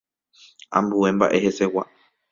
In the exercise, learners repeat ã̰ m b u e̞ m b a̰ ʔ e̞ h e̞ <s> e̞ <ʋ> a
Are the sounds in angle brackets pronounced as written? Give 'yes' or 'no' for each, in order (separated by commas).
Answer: yes, no